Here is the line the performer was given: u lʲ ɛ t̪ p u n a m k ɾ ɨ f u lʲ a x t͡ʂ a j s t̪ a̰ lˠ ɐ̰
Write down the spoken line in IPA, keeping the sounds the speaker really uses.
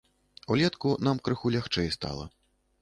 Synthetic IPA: u lʲ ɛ t̪ k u n a m k ɾ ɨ x u lʲ a x t͡ʂ ɛ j s t̪ a̰ lˠ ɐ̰